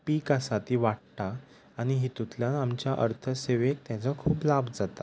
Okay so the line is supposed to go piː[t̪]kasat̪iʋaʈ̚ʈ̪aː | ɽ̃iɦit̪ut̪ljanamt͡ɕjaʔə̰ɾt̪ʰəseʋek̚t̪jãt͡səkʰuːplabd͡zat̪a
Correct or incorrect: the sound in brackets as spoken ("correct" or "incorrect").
incorrect